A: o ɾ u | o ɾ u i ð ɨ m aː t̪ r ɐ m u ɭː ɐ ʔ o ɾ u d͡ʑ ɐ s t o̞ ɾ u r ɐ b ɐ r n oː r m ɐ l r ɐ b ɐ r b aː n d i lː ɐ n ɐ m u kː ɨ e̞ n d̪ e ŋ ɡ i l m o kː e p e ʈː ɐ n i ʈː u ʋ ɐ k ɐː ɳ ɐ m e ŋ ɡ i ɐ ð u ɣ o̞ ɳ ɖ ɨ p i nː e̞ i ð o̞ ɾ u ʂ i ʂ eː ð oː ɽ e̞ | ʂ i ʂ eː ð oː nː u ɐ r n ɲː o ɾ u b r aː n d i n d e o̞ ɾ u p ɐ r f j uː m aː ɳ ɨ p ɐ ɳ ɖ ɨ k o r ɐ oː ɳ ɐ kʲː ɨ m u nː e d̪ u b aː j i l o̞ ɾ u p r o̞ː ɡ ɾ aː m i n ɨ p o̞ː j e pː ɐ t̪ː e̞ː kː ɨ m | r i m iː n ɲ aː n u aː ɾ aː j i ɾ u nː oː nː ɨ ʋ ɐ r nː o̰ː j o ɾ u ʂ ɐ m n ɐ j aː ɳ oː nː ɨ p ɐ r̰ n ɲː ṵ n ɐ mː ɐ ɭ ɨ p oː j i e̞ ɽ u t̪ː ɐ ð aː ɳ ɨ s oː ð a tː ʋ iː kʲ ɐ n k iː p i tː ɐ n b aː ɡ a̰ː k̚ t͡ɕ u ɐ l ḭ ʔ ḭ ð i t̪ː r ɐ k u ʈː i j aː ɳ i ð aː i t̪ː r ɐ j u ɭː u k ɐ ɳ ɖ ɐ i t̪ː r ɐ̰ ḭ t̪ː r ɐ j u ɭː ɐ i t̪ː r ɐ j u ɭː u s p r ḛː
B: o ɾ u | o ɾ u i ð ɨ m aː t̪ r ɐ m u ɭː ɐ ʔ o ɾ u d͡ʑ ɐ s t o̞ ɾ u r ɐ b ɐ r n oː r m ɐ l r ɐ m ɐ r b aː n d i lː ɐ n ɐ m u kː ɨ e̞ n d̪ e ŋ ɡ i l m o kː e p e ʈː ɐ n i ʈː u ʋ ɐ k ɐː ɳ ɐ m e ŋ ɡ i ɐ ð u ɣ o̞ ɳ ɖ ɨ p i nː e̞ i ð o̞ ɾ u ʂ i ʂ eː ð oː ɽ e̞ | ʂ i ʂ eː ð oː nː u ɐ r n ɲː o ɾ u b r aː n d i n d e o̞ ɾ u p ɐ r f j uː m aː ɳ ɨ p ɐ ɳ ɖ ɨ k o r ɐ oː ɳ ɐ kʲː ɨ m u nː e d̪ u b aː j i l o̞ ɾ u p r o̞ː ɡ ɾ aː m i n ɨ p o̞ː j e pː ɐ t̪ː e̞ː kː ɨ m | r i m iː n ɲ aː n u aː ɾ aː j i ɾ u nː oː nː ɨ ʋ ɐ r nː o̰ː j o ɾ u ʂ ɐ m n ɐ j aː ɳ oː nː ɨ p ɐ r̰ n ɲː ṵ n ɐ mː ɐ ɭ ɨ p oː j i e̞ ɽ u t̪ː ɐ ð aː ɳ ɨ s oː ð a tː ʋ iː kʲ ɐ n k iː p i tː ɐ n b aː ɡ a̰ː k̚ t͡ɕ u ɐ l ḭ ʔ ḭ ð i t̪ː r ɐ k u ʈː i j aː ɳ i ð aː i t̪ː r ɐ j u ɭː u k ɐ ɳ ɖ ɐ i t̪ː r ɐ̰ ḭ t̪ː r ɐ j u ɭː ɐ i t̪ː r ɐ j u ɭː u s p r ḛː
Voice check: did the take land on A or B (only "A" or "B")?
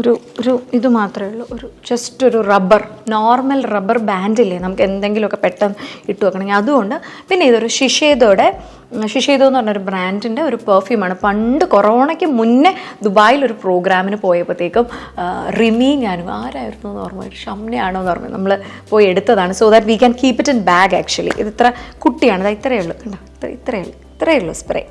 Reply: A